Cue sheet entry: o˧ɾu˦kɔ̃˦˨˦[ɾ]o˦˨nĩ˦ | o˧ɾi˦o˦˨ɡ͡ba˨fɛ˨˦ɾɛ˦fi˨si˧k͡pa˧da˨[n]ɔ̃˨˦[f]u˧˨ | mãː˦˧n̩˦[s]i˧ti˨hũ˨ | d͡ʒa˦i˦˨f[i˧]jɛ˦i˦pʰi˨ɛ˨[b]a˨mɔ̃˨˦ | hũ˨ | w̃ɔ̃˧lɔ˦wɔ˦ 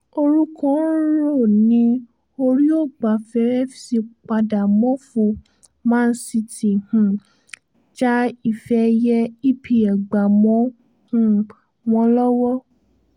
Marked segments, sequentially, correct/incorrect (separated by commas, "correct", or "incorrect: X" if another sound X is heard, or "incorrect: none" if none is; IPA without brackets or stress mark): correct, incorrect: m, correct, correct, incorrect: ɛ˧, incorrect: ɡ͡b